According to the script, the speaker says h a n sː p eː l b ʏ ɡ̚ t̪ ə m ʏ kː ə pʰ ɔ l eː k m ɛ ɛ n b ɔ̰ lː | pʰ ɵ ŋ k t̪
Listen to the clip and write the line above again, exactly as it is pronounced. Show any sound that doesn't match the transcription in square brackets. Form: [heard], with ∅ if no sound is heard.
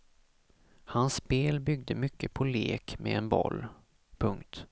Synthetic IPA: h a n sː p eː l b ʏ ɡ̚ [d̪] ə m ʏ kː ə pʰ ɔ l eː k m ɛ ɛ n b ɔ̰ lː | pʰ ɵ ŋ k t̪